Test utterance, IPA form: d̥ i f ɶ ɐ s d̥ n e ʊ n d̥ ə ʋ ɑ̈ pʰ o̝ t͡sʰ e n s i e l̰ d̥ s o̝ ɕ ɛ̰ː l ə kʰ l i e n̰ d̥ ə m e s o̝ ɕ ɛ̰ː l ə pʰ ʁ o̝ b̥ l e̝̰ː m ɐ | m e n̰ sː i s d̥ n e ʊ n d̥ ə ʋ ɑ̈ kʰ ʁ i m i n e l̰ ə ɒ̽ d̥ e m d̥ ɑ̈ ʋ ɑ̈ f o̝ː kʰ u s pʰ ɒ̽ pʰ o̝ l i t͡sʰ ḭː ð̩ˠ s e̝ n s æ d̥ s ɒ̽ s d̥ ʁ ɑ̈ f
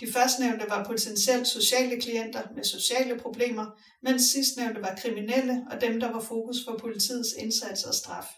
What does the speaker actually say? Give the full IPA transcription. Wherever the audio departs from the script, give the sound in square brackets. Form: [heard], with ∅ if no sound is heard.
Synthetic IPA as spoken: d̥ i f ɶ ɐ s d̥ n e ʊ n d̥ ə ʋ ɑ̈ pʰ o̝ t͡sʰ e n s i e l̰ d̥ s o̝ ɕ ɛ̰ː l ə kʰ l i e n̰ d̥ [ɐ] m e s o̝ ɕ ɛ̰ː l ə pʰ ʁ o̝ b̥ l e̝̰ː m ɐ | m e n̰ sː i s d̥ n e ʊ n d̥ ə ʋ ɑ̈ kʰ ʁ i m i n e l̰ ə ɒ̽ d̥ e m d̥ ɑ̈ ʋ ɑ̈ f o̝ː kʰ u s pʰ ɒ̽ pʰ o̝ l i t͡sʰ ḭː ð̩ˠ s e̝ n s æ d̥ s ɒ̽ s d̥ ʁ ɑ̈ f